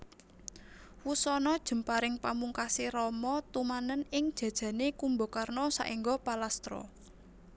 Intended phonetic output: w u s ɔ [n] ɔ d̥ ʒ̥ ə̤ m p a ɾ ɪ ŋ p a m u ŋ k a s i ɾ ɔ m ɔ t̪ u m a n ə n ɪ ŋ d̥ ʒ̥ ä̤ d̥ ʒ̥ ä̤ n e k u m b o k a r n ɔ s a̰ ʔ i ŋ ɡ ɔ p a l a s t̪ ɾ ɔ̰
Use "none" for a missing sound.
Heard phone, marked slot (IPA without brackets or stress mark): n